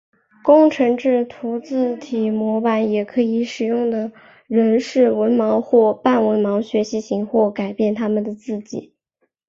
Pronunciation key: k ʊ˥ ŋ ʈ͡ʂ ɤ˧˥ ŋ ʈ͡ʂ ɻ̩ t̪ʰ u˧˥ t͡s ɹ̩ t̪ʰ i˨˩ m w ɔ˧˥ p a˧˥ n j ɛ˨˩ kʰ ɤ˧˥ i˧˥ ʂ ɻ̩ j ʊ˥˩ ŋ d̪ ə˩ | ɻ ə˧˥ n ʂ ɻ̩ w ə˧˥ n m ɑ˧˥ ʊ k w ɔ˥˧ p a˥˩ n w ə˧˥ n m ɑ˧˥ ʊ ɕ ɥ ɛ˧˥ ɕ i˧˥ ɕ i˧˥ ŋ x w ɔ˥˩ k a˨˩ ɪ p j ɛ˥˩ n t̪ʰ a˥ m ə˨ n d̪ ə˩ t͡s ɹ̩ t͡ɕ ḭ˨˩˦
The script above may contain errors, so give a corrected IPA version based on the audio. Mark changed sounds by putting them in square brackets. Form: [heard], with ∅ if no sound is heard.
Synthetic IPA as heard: k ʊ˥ ŋ [ʈ͡ʂʰ] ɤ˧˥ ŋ ʈ͡ʂ ɻ̩ t̪ʰ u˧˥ t͡s ɹ̩ t̪ʰ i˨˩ m w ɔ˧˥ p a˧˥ n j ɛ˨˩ kʰ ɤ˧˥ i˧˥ ʂ ɻ̩ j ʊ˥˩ ŋ d̪ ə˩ | ɻ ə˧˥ n ʂ ɻ̩ w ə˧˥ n m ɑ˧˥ ʊ [x] w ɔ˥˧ p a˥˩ n w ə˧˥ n m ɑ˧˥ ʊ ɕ ɥ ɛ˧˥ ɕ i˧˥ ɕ i˧˥ ŋ x w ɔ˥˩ k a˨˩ ɪ p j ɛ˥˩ n t̪ʰ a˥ m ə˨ n d̪ ə˩ t͡s ɹ̩ t͡ɕ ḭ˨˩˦